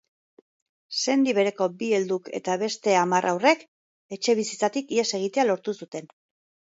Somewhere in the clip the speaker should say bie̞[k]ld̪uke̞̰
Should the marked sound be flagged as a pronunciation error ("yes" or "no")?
yes